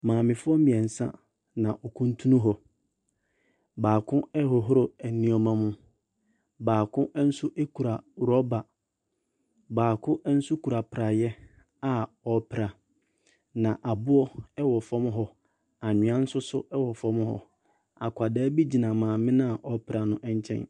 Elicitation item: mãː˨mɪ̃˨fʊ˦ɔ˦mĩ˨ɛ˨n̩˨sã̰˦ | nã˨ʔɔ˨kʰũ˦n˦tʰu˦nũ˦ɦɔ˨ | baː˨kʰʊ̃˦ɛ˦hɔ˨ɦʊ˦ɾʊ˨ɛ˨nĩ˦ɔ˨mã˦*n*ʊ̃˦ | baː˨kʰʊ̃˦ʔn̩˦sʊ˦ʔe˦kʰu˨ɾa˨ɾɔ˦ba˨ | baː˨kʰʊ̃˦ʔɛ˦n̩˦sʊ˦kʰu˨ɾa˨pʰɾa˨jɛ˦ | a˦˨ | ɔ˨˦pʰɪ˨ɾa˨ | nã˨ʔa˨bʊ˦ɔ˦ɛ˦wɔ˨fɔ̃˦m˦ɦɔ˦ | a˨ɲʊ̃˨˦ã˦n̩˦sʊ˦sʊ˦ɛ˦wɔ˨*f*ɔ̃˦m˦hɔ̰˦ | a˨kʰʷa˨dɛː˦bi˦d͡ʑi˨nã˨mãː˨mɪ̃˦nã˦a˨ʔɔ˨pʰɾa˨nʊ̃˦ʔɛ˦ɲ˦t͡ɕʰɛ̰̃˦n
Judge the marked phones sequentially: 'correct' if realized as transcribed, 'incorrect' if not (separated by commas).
incorrect, correct